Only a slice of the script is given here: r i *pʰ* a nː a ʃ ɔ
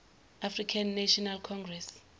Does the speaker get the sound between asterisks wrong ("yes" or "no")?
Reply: yes